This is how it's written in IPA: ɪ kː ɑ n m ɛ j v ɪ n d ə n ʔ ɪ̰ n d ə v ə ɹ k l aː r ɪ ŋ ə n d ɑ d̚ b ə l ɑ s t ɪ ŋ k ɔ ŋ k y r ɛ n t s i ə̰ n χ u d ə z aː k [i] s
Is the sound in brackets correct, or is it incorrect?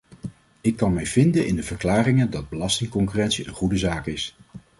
incorrect: ɪ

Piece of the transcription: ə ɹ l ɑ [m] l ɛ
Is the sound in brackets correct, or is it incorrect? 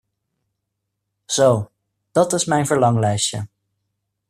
incorrect: ŋ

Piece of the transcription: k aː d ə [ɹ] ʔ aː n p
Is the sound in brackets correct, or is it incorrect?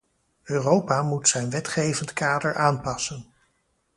correct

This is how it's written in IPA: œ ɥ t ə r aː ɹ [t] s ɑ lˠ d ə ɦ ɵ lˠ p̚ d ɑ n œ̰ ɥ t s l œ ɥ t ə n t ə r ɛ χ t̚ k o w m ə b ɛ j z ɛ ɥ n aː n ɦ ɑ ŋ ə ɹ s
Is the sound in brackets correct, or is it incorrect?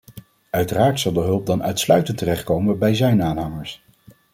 correct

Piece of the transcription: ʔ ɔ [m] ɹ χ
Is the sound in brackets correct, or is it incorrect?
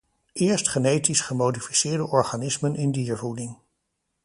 incorrect: none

